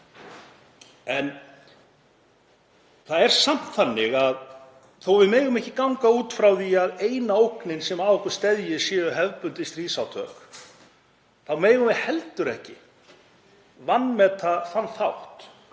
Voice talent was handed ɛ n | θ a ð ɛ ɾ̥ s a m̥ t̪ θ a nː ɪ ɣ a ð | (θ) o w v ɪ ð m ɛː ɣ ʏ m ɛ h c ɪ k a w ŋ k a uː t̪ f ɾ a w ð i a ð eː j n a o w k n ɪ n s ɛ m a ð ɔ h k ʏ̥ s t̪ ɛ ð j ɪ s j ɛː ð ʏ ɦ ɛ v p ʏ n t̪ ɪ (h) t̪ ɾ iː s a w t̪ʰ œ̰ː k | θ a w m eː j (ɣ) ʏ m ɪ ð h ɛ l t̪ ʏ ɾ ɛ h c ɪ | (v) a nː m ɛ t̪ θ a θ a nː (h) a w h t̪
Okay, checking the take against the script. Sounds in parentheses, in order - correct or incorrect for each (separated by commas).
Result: correct, incorrect, correct, correct, incorrect